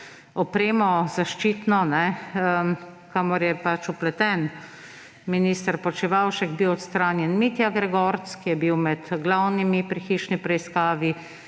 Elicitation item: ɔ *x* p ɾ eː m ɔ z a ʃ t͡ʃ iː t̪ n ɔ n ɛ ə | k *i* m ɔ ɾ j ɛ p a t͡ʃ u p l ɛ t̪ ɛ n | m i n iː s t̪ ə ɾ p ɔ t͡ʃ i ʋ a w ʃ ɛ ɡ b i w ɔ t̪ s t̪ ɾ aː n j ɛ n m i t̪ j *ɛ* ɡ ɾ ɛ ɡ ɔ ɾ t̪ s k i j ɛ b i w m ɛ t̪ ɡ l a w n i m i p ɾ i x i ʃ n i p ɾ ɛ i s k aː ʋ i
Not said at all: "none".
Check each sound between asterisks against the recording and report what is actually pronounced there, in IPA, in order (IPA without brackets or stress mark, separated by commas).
none, a, a